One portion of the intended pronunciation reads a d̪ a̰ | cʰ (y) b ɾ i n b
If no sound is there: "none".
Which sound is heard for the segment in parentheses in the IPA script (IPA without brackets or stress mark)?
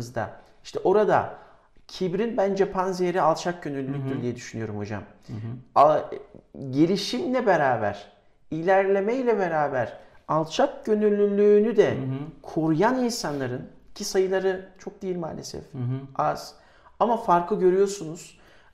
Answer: i